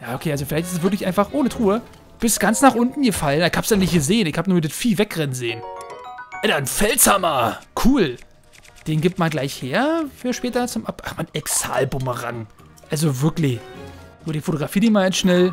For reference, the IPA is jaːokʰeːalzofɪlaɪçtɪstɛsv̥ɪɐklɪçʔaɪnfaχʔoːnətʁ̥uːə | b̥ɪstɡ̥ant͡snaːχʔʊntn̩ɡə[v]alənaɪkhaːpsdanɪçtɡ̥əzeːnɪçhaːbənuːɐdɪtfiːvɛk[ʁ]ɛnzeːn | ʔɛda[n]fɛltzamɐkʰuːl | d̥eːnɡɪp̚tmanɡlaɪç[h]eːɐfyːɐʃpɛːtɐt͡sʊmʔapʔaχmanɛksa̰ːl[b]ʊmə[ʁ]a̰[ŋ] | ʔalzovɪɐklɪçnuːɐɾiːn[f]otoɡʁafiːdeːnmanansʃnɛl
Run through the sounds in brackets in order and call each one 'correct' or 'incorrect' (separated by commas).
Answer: incorrect, correct, correct, correct, correct, correct, correct, correct